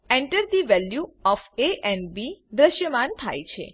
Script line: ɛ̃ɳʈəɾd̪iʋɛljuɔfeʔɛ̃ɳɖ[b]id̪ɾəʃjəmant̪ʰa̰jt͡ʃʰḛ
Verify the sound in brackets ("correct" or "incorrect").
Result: correct